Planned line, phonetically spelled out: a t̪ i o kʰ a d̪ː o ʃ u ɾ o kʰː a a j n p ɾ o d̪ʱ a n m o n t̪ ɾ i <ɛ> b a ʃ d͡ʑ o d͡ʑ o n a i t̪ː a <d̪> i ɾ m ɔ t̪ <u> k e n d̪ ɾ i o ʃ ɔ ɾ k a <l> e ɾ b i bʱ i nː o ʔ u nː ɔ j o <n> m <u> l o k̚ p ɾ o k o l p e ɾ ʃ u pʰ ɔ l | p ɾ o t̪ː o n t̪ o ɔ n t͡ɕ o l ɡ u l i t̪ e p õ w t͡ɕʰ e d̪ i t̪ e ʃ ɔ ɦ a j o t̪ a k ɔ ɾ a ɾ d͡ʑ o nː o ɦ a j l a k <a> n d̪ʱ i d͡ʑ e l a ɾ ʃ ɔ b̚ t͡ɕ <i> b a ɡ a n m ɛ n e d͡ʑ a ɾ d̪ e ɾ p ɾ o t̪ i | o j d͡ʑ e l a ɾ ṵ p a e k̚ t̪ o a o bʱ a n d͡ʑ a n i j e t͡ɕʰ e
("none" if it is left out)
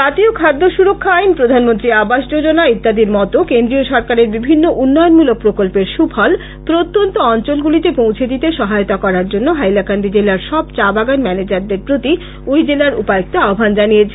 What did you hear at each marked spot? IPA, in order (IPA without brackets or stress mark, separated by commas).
a, d̪, o, ɾ, n, u, a, a